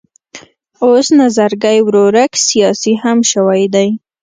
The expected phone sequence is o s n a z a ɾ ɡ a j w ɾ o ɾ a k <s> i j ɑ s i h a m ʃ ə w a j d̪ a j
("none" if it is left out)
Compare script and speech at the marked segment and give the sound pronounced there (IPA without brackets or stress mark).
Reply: s